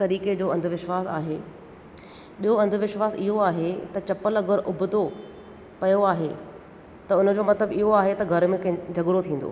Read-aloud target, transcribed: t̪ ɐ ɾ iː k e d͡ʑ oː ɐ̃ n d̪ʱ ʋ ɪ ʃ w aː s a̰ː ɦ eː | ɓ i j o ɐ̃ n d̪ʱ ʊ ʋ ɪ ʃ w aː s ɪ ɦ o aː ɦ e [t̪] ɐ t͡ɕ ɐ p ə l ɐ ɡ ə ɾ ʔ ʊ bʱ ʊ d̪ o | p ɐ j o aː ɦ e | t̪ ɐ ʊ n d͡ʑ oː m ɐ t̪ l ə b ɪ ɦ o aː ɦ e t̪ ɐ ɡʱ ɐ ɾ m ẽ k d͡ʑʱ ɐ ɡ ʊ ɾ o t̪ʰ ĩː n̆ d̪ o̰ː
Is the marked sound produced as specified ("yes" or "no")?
yes